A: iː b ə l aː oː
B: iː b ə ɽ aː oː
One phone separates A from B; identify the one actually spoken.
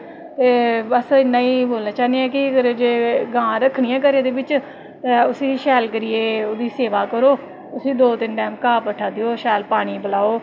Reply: A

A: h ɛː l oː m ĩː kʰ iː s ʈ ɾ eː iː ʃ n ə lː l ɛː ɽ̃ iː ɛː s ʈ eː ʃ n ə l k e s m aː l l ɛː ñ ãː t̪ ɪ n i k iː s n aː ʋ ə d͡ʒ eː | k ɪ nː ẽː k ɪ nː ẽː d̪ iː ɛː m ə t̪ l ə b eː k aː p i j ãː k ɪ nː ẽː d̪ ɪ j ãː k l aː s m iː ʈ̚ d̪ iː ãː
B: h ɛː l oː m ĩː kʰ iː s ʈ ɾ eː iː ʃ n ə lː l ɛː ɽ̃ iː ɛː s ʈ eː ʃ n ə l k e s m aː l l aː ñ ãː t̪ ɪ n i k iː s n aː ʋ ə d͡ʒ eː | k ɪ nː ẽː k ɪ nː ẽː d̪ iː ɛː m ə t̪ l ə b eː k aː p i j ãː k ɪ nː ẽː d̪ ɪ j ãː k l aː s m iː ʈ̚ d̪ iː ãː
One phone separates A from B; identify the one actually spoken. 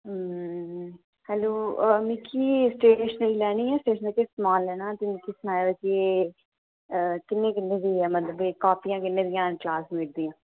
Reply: A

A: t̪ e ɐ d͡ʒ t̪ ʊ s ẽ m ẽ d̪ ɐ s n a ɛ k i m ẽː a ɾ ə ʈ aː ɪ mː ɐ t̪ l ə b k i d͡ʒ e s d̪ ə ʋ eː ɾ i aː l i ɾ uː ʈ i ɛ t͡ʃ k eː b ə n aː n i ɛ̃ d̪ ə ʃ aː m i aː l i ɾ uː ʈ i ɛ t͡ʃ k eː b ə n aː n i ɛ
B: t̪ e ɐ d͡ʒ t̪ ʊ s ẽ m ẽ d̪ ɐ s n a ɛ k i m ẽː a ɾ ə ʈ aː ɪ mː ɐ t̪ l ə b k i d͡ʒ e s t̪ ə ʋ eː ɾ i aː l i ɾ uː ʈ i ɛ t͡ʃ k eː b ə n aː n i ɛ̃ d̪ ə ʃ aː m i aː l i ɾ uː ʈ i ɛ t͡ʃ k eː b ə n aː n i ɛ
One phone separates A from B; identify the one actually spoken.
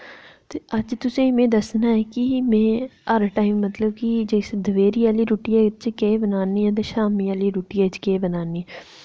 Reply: A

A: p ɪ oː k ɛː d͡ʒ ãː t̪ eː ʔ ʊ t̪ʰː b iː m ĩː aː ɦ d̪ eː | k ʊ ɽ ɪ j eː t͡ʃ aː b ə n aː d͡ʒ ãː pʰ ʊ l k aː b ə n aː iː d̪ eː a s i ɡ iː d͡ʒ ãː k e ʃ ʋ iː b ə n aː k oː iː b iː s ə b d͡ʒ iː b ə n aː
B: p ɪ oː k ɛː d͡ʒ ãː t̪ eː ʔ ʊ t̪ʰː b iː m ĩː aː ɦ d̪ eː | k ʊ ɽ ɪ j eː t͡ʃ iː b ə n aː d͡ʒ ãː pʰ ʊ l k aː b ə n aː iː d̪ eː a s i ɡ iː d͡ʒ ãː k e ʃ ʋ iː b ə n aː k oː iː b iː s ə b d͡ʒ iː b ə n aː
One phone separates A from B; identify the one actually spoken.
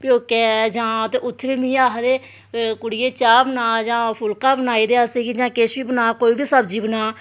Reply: A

